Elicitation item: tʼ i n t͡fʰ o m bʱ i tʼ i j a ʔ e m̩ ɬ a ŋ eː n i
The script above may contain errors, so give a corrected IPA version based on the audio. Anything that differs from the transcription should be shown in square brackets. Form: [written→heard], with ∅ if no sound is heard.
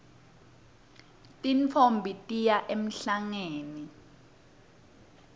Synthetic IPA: tʼ i n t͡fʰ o m bʱ i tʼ i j a ʔ e m̩ ɬ a ŋ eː n i